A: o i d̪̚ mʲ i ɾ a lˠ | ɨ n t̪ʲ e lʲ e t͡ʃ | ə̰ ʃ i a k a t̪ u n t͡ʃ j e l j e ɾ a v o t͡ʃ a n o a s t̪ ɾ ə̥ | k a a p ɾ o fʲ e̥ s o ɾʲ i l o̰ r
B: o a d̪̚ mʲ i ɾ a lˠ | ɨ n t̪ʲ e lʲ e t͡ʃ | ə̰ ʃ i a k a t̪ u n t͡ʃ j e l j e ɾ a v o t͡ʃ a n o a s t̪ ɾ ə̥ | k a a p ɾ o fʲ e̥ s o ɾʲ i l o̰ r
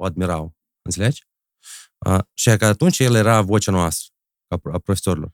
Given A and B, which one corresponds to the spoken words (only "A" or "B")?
B